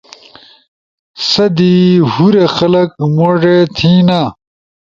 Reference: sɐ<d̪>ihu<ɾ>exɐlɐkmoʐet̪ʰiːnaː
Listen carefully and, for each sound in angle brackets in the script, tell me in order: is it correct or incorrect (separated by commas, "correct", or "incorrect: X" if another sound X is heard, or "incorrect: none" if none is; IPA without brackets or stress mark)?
correct, correct